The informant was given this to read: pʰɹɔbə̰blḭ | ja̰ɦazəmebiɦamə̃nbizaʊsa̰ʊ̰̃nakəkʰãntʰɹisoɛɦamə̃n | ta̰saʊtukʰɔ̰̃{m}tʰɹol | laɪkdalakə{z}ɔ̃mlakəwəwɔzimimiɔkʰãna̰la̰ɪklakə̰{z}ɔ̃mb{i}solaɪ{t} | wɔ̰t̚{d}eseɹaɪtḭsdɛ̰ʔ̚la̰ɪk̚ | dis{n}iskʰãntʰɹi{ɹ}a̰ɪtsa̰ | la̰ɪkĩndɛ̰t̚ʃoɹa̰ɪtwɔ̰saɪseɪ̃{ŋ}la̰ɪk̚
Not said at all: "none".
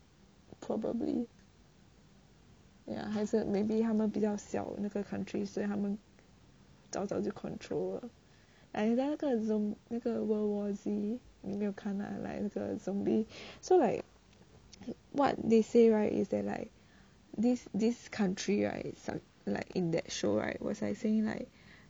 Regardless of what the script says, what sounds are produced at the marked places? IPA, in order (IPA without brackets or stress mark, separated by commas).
n, z, z, i, k, d, d, ɹ, ŋ